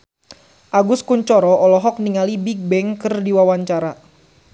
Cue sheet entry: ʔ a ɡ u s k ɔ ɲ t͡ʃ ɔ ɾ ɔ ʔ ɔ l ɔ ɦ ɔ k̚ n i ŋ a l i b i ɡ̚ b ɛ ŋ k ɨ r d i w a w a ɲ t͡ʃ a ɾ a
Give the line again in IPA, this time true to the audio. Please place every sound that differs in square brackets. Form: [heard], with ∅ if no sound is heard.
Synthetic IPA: ʔ a ɡ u s k [u] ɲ t͡ʃ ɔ ɾ ɔ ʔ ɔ l ɔ ɦ ɔ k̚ n i ŋ a l i b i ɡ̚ b ɛ ŋ k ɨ r d i w a w a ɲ t͡ʃ a ɾ a